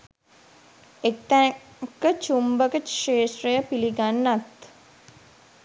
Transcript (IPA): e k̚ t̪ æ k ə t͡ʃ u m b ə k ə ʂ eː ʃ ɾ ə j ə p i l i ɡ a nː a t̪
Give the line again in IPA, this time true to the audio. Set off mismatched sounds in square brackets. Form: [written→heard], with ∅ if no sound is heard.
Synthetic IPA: e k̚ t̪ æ k ə t͡ʃ u m b ə k ə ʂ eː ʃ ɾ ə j ə p i l i ɡ a nː a t̪